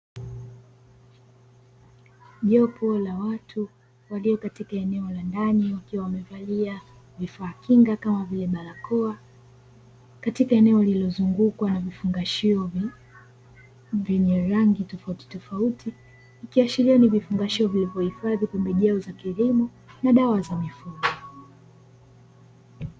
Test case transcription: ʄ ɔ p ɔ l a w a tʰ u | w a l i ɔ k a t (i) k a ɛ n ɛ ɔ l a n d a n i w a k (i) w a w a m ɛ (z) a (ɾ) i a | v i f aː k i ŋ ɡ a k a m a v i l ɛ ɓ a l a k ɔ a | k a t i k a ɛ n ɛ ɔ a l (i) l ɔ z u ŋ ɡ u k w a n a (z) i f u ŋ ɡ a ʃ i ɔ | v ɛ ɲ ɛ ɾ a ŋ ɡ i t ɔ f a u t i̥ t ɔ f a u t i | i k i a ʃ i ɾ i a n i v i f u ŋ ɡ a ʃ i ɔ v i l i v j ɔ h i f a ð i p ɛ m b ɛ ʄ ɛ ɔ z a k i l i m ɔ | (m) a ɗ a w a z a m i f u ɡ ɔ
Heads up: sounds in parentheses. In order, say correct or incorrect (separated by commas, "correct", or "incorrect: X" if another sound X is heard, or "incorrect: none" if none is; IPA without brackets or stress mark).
correct, correct, incorrect: v, incorrect: l, correct, incorrect: v, incorrect: n